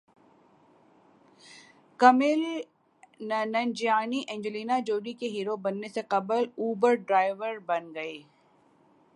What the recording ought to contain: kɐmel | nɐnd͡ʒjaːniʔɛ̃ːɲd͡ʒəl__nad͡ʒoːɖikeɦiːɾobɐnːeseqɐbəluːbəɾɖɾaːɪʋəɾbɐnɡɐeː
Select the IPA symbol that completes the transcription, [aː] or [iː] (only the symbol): iː